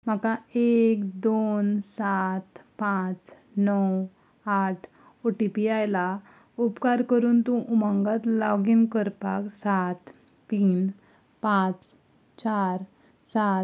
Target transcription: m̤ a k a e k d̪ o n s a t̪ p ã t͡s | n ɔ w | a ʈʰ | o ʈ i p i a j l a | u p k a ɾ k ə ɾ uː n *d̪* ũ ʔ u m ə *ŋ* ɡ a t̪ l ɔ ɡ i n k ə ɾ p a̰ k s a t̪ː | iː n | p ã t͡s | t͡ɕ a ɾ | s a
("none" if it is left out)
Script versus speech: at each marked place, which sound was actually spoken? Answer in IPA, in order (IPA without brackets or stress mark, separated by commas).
t̪, ŋ